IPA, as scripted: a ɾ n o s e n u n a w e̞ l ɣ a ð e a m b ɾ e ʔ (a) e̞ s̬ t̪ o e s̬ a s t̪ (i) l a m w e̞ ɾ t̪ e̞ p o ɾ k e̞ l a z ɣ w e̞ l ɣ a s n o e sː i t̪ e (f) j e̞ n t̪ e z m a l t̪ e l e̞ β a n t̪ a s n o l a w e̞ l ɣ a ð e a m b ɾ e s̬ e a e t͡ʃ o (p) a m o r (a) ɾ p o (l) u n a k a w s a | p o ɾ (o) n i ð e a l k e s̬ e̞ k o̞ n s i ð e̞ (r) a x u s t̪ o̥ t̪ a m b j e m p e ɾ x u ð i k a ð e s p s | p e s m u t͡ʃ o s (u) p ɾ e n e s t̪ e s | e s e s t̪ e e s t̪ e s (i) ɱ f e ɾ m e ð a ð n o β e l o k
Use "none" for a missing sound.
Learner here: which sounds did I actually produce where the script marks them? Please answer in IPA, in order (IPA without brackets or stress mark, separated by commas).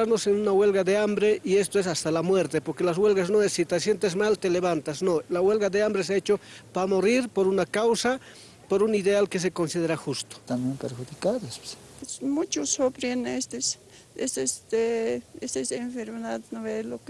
i, a, s, p, i, ɾ, u, ɾ, o, e